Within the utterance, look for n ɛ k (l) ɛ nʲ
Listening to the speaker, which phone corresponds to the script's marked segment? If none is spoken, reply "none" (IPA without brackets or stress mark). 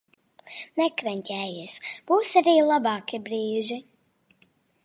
ɾ